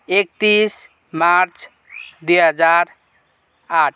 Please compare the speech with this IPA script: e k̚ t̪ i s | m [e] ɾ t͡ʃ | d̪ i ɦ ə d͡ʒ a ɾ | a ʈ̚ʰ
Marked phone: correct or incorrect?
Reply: incorrect